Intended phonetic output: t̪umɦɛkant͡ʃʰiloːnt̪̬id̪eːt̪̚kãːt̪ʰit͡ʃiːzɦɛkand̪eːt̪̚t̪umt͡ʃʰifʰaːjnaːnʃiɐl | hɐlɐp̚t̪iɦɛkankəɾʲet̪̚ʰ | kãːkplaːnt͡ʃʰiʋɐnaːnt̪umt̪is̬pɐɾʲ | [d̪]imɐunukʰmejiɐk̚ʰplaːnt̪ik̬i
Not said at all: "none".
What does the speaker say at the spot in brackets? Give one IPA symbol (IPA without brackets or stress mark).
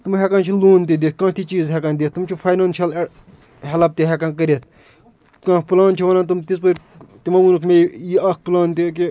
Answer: t̪